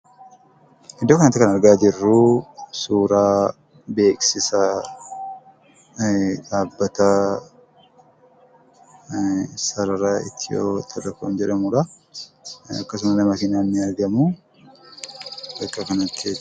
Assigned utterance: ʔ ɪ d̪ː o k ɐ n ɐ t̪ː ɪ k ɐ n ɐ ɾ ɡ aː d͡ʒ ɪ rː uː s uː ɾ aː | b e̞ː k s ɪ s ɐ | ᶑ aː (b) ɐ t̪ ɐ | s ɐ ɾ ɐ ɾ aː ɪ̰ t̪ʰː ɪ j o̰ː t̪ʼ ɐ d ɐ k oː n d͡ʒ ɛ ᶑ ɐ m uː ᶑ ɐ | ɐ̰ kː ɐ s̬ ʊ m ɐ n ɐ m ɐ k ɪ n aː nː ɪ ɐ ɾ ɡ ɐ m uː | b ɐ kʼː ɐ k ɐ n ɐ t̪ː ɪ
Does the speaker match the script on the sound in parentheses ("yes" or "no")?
no